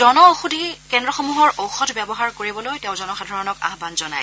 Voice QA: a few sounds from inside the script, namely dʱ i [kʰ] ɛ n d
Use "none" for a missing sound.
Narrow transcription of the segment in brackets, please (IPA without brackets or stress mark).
k